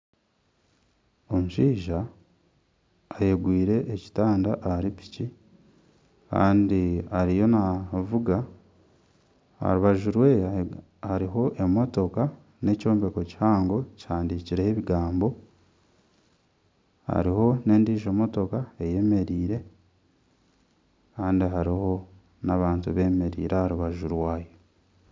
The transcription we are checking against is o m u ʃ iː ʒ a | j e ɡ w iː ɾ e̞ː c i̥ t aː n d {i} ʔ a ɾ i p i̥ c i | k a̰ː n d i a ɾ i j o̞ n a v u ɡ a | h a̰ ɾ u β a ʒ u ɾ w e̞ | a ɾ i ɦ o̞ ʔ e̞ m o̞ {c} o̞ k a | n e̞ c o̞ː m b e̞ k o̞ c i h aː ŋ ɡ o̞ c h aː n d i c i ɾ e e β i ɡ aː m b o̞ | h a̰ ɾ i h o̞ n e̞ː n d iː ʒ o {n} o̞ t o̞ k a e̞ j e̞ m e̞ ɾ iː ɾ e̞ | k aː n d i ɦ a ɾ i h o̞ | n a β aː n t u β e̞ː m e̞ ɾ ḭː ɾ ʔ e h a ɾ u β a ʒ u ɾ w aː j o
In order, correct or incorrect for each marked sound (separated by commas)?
incorrect, incorrect, incorrect